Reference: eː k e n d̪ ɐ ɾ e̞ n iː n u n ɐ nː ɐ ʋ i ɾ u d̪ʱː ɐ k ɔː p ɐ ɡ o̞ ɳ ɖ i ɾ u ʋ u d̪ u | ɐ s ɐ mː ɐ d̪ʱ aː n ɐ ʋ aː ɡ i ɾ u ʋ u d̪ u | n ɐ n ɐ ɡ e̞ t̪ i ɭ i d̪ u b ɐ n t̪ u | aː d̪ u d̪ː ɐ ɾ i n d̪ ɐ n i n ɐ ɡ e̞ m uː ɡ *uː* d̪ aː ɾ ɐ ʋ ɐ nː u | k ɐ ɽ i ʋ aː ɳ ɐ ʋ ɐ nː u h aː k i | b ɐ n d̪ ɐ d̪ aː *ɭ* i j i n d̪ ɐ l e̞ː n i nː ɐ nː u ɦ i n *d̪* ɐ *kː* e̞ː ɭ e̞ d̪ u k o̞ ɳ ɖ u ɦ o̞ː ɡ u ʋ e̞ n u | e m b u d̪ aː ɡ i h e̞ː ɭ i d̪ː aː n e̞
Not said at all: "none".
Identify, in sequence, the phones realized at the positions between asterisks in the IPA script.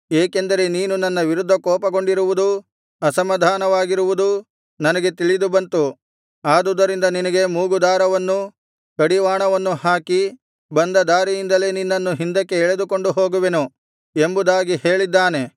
u, ɾ, d̪, kː

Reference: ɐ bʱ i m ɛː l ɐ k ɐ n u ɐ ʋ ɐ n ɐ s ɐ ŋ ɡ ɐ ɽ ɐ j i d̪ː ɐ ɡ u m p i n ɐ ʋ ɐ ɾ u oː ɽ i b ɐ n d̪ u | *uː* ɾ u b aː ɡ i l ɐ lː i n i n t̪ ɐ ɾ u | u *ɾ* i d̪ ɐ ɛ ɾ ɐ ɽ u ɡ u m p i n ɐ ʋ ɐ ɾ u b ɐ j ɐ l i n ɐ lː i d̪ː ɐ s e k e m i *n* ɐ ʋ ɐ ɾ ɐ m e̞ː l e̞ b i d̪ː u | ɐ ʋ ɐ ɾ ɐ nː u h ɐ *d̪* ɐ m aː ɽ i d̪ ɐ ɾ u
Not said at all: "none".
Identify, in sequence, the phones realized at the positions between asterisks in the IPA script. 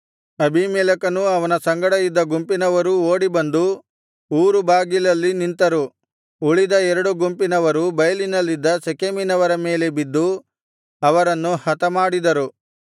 uː, ɭ, n, t̪

